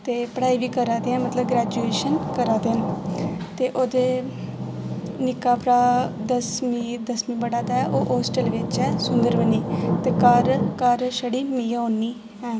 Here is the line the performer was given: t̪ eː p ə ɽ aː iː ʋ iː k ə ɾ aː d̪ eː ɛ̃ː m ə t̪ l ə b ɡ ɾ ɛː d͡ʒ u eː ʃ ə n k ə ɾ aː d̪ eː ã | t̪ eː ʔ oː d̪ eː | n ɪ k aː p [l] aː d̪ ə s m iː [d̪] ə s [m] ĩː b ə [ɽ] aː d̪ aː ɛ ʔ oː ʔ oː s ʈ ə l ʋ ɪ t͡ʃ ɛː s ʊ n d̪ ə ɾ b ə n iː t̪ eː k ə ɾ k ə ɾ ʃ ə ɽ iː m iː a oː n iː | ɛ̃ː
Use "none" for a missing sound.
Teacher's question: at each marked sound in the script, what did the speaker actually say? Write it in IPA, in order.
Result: ɾ, d̪, m, ɽ

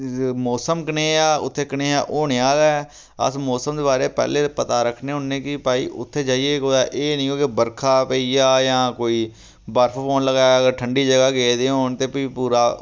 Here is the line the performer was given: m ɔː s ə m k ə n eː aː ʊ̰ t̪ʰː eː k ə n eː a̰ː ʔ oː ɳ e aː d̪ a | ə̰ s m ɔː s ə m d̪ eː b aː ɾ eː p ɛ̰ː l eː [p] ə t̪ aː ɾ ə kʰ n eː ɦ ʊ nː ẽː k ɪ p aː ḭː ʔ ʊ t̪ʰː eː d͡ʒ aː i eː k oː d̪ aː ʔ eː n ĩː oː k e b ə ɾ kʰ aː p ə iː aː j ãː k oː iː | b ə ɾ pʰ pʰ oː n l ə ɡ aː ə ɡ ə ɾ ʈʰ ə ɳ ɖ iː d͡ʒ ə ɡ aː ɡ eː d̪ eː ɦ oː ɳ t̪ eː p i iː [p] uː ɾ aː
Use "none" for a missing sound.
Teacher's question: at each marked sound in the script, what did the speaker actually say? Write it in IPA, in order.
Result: p, p

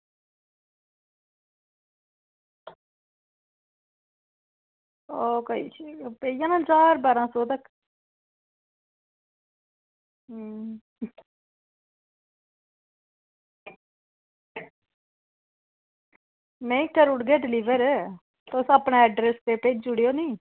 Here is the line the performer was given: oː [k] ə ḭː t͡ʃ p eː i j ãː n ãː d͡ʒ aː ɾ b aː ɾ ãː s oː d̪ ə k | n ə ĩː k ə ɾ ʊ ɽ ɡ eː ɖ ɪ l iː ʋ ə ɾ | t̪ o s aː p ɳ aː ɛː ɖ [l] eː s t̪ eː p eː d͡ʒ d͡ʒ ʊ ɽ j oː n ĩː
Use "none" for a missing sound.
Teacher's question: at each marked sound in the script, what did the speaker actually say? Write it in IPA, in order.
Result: k, ɾ

